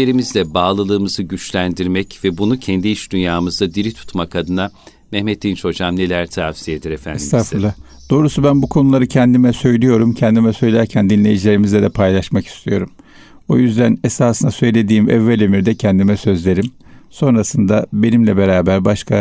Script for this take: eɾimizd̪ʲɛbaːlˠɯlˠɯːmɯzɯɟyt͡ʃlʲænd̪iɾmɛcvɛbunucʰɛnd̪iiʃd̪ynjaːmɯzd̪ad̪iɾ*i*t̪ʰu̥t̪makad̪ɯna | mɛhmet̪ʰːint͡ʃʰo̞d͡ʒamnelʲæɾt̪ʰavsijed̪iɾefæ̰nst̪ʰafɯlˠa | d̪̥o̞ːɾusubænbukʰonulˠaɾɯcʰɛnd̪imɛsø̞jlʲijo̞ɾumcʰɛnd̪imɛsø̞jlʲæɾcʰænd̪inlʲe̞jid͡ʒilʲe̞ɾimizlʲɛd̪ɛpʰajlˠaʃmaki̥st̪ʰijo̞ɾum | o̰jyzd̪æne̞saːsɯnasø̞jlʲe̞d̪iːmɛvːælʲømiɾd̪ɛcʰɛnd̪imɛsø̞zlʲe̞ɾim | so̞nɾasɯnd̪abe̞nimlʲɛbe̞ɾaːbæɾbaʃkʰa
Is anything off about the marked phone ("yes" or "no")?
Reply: no